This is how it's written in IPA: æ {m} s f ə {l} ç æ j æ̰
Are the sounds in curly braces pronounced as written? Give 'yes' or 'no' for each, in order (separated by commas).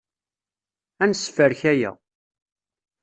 no, no